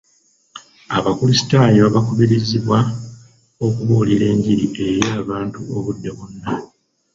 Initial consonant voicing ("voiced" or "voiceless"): voiced